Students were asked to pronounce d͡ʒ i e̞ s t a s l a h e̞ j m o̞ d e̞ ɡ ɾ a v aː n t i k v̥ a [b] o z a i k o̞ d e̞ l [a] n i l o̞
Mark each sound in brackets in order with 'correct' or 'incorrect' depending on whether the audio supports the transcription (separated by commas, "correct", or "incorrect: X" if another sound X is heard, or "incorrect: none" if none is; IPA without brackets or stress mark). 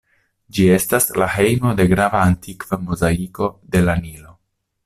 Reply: incorrect: m, correct